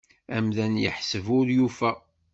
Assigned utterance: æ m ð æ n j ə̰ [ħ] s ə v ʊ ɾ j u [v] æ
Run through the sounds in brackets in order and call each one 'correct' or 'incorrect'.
correct, incorrect: f

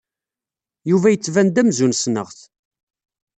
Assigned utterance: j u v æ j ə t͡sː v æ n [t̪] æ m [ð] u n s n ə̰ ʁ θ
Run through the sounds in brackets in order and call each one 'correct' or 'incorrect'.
incorrect: d̪, incorrect: z

